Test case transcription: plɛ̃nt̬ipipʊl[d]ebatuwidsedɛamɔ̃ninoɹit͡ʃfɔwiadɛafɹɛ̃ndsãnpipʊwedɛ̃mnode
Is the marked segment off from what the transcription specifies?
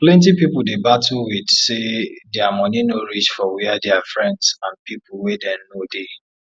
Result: no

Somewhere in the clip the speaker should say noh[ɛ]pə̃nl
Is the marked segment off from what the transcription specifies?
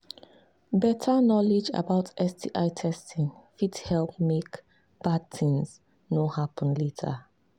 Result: yes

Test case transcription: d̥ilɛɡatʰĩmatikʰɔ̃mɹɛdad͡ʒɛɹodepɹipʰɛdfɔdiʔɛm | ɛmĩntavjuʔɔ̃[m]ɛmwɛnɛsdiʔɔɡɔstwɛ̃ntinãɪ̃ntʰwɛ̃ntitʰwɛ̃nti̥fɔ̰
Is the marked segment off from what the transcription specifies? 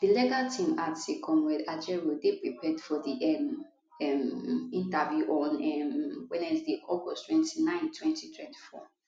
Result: yes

